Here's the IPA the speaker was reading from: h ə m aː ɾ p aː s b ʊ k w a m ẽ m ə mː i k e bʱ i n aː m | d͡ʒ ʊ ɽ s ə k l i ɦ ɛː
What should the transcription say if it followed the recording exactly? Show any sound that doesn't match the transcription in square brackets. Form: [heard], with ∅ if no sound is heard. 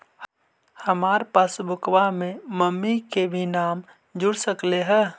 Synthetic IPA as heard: h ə m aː ɾ p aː s b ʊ k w a m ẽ m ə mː i k e bʱ i n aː m | d͡ʒ ʊ ɽ s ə k l [e] ɦ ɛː